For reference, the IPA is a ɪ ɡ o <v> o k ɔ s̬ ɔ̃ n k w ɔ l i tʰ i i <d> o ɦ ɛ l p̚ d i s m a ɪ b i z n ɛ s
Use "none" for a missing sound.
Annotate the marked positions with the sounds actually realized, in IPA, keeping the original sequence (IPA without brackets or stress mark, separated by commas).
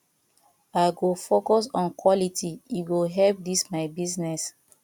f, ɡ